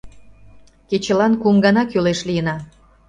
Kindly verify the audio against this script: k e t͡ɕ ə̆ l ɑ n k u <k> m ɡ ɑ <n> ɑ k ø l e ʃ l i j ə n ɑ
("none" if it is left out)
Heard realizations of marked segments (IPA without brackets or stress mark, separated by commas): none, n